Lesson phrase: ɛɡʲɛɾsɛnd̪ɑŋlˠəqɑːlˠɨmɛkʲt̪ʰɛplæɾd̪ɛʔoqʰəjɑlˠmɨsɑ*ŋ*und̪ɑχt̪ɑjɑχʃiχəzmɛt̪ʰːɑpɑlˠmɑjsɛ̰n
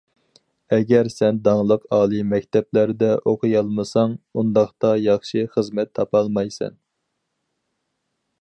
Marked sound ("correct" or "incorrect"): correct